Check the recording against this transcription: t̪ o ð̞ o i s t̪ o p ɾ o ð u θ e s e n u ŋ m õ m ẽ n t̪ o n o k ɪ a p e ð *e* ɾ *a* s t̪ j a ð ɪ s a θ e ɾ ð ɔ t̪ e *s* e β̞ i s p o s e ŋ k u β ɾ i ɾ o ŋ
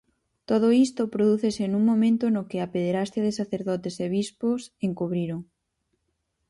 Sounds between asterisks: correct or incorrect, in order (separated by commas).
correct, correct, correct